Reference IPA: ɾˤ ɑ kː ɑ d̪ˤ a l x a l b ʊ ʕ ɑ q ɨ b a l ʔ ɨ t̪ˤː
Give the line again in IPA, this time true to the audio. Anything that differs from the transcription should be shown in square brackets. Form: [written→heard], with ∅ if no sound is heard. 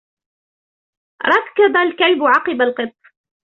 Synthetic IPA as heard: ɾˤ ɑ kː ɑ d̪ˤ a l [x→k] a l b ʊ ʕ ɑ q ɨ b a l [ʔ→q] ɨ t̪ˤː